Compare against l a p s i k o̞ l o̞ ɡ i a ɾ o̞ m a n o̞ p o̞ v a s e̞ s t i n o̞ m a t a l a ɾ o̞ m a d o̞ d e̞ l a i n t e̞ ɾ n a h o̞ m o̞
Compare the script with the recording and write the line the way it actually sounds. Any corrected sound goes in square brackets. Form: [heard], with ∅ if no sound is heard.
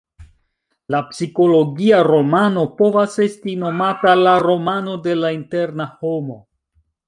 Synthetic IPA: l a p s i k o̞ l o̞ ɡ i a ɾ o̞ m a n o̞ p o̞ v a s e̞ s t i n o̞ m a t a l a ɾ o̞ m a [n] o̞ d e̞ l a i n t e̞ ɾ n a h o̞ m o̞